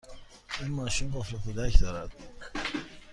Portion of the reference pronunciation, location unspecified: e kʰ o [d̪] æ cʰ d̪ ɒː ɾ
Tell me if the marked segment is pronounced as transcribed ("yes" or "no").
yes